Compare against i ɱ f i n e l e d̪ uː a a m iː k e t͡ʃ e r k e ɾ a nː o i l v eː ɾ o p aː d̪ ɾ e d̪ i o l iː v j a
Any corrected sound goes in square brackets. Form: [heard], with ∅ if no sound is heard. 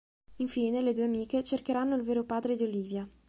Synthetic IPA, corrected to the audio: i ɱ f [iː] n e l e d̪ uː [e] a m iː k e t͡ʃ e r k e ɾ a nː o i l v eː ɾ o p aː d̪ ɾ e d̪ i o l iː v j a